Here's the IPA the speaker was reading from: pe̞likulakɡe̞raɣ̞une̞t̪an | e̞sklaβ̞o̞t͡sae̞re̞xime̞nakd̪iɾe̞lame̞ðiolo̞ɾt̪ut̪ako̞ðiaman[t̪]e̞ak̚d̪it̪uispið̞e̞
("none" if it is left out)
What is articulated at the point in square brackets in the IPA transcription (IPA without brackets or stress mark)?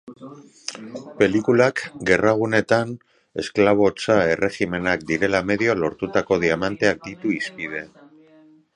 t̪